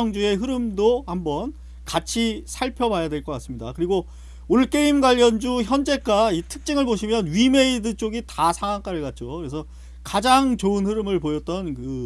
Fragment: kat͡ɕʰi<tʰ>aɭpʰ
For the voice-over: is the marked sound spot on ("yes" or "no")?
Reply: no